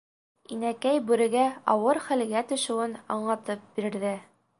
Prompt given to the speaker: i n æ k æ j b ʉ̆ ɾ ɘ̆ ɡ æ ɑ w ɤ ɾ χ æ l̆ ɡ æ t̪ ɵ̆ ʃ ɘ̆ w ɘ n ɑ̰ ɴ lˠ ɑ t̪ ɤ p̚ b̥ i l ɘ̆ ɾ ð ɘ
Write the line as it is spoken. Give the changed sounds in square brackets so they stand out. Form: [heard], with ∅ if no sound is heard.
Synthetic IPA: i n æ k æ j b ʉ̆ ɾ ɘ̆ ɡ æ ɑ w ɤ ɾ χ æ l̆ ɡ æ t̪ ɵ̆ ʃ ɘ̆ w ɘ n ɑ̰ ɴ lˠ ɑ t̪ ɤ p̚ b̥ i [ɾ] ɘ̆ ɾ ð ɘ